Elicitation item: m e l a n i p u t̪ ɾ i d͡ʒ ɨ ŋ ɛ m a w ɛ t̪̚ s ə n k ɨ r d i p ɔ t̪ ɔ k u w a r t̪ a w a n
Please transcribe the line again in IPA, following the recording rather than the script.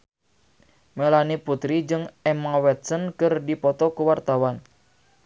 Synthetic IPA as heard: m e l a n i p u t̪ ɾ i d͡ʒ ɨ ŋ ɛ m a w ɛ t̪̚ s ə n k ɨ r d i p ɔ t̪ ɔ k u w a r t̪ a w a n